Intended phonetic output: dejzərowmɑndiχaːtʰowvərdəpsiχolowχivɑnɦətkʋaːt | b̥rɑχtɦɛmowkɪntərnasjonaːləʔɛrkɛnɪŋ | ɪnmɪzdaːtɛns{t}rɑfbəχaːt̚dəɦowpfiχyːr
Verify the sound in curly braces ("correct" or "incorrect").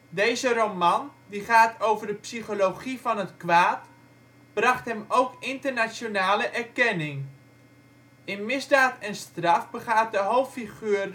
correct